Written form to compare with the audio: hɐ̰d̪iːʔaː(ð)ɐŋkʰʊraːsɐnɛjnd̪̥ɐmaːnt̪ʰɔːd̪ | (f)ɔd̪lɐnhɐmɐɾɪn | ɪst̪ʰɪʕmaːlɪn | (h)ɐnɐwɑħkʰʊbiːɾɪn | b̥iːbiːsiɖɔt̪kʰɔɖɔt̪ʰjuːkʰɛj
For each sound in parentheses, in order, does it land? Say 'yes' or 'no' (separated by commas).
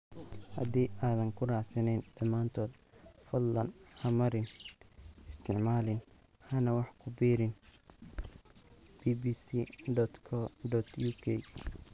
yes, yes, yes